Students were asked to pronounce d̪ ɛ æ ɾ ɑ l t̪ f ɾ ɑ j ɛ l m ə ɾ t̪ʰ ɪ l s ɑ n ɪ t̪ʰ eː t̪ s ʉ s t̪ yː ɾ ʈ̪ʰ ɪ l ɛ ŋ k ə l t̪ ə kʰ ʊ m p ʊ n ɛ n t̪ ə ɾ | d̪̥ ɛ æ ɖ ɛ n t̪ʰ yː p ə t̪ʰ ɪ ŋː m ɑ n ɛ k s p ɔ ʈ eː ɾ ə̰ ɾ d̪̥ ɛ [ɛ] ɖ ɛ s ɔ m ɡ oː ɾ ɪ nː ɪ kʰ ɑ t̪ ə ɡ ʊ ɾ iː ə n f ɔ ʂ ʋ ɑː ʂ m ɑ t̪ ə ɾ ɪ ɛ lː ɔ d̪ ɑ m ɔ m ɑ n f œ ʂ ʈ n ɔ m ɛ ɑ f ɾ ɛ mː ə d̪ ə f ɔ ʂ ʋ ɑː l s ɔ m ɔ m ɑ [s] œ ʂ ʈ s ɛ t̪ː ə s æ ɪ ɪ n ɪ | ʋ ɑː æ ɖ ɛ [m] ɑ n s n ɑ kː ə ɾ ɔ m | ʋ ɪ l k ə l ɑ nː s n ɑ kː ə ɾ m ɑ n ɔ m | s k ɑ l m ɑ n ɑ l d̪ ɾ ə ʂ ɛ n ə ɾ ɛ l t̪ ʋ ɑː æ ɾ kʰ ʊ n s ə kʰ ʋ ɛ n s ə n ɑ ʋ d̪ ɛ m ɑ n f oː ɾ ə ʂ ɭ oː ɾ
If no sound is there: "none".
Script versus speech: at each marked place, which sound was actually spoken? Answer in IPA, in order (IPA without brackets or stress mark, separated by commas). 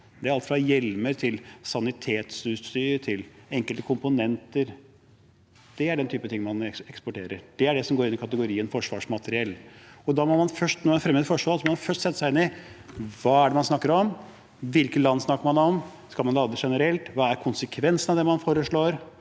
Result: æ, f, m